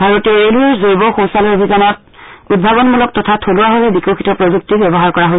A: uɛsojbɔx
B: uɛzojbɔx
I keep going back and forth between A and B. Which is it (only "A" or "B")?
B